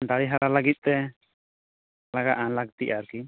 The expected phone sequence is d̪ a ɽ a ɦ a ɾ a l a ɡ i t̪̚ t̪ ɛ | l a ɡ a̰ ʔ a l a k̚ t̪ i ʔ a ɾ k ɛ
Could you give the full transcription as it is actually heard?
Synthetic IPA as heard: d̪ a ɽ i ɦ a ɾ a l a ɡ i t̪̚ t̪ ɛ | l a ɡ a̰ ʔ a l a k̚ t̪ i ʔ a ɾ k i